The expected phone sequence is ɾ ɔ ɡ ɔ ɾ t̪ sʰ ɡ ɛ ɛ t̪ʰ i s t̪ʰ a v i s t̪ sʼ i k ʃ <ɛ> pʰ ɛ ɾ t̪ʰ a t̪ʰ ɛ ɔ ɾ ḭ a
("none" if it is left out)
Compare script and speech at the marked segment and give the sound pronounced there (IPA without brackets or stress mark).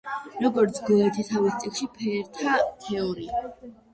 i